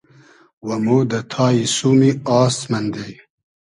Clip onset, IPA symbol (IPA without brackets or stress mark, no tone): w